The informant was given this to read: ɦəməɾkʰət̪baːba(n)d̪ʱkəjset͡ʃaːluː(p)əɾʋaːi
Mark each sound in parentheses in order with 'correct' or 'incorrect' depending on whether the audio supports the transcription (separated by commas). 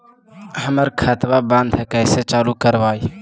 correct, incorrect